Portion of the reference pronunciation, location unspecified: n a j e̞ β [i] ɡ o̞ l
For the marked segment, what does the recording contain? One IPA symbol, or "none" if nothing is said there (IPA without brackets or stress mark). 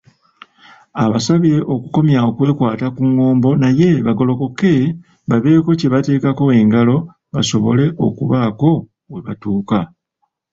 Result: a